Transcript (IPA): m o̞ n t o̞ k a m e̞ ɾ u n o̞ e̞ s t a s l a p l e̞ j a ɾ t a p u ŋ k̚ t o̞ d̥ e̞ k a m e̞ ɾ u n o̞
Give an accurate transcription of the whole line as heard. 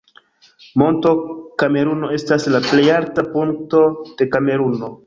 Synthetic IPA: m o̞ n t o̞ k a m e̞ ɾ u n o̞ e̞ s t a s l a p l e̞ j a ɾ t a p u ŋ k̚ t o̞ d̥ e̞ k a m e̞ ɾ u n o̞